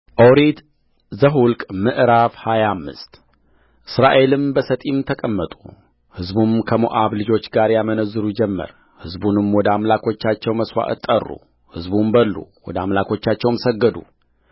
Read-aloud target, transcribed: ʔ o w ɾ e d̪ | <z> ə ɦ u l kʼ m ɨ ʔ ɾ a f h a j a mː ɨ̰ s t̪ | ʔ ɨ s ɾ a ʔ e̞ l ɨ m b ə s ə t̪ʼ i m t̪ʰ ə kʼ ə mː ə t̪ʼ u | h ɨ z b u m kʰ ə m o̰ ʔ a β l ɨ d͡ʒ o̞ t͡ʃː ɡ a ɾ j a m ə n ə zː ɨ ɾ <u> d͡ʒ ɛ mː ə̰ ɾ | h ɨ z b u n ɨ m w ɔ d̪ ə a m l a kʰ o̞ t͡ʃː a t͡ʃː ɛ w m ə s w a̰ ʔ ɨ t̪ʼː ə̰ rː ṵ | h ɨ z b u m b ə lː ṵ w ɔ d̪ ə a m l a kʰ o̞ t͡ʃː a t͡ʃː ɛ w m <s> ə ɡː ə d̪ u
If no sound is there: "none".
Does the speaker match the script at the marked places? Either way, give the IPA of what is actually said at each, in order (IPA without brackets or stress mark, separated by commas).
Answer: z, u, s